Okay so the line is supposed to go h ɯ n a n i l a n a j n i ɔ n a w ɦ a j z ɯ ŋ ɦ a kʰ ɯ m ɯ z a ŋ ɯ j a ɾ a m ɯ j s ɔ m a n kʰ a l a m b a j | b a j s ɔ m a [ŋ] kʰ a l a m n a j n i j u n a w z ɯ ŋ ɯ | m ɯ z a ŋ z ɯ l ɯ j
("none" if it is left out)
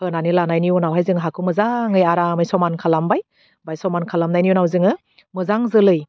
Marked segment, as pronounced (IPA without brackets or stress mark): n